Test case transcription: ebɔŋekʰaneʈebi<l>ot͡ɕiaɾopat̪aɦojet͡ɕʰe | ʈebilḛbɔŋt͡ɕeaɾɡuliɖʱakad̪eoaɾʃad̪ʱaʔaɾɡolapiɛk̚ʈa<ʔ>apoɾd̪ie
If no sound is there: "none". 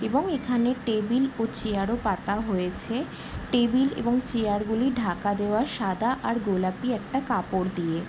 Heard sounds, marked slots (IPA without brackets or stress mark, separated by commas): l, k